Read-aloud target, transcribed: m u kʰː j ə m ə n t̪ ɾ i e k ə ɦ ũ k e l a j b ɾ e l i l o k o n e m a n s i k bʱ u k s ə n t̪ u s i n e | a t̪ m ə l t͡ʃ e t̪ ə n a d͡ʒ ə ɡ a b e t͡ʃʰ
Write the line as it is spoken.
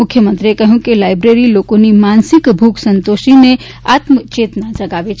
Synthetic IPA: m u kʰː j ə m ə n t̪ ɾ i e k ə ɦ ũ k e l a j b ɾ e ɾ i l o k o n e m a n s i k bʱ u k s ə n t̪ o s i n e | a t̪ m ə t͡ʃ e t̪ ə n a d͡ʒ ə ɡ a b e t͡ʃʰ